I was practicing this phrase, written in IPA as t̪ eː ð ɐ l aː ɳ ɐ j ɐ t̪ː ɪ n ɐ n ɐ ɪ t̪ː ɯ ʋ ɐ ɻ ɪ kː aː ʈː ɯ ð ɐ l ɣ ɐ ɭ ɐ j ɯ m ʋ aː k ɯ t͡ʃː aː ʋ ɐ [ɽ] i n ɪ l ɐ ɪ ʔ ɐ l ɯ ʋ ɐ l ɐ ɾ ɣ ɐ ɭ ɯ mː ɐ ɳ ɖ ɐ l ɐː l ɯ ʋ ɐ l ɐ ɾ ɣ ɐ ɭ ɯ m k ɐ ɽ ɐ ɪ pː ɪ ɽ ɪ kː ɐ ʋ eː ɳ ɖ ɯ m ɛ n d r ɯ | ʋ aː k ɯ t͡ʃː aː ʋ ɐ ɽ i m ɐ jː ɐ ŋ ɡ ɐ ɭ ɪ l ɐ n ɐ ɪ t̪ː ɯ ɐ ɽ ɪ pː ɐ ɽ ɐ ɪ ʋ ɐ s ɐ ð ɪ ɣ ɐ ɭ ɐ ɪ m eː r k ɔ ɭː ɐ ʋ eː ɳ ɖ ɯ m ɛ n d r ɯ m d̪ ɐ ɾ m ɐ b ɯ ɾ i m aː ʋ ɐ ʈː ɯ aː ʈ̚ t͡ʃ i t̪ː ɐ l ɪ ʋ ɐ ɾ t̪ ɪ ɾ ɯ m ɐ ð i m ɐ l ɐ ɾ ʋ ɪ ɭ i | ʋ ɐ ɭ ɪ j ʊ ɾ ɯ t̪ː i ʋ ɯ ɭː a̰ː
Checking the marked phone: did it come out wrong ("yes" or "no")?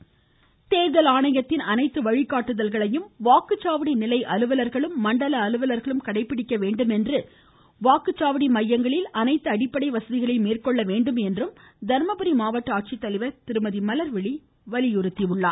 no